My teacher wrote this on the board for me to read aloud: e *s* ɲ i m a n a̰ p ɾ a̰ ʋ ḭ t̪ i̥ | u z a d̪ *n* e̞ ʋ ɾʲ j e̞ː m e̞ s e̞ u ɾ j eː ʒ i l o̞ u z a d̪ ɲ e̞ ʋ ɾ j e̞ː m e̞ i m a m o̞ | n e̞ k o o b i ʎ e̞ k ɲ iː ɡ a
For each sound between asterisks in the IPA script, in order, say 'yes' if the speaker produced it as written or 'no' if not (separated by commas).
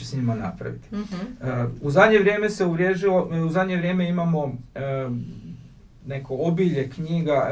yes, no